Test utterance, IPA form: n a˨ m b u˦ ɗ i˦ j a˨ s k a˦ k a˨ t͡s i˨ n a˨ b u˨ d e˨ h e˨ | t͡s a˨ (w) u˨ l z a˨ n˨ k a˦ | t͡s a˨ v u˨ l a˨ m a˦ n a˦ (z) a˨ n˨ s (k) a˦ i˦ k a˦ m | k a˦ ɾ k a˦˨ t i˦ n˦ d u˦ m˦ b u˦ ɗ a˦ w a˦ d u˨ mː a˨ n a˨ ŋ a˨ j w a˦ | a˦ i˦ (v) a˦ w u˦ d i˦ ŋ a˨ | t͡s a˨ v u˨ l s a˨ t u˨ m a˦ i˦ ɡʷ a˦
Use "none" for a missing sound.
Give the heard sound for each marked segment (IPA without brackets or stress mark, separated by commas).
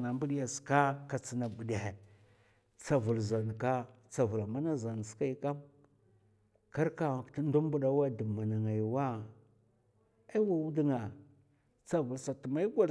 v, z, k, w